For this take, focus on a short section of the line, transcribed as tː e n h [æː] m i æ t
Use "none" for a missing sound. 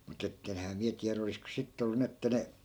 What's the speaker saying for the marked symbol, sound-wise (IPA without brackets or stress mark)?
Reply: æː